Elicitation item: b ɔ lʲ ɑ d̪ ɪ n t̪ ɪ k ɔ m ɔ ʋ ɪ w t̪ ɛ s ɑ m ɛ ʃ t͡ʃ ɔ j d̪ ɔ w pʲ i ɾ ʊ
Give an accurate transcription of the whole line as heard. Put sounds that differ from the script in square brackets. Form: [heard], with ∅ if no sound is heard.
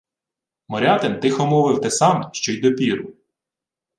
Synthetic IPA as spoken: [m] ɔ [ɾʲ] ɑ [t̪] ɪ n t̪ ɪ [x] ɔ m ɔ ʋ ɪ w t̪ ɛ s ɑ m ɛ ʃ t͡ʃ ɔ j d̪ ɔ [∅] pʲ i ɾ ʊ